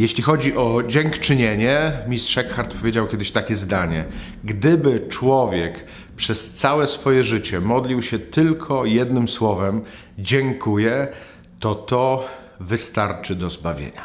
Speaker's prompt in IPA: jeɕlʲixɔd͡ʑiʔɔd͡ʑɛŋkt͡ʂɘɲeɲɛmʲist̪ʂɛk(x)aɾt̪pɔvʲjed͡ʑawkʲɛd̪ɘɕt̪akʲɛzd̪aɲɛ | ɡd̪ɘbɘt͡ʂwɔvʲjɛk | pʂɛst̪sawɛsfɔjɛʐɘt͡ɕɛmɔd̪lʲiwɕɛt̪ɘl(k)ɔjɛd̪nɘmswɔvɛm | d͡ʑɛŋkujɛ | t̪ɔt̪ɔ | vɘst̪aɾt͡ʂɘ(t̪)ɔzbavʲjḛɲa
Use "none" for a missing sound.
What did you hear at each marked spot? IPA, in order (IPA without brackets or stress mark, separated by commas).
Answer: x, kʰ, d̪